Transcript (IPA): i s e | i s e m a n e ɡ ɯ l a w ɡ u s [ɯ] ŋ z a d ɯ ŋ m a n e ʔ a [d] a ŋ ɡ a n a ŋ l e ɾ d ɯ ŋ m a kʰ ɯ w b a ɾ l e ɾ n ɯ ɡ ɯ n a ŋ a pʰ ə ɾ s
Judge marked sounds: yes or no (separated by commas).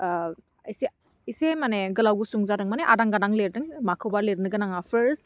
no, yes